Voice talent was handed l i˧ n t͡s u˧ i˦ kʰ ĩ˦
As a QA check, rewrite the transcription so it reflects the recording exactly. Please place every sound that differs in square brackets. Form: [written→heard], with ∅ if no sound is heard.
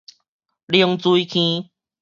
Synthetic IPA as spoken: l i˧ [n→ŋ] t͡s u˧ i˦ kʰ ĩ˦